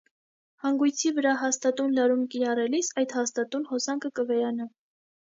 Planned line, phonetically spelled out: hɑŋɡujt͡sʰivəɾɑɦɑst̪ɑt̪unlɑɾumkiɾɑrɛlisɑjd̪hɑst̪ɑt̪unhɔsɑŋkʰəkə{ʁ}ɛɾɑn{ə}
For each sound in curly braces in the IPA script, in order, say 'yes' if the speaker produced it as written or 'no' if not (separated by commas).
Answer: no, no